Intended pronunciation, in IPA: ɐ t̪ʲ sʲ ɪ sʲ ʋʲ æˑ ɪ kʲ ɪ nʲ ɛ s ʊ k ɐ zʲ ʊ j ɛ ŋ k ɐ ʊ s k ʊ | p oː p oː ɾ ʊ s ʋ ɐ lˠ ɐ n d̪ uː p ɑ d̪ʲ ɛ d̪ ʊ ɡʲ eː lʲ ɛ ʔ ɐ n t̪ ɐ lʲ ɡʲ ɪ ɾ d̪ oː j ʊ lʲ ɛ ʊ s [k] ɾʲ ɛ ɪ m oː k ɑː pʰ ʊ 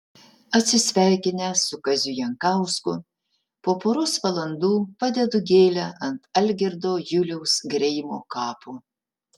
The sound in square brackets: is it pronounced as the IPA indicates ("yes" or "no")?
no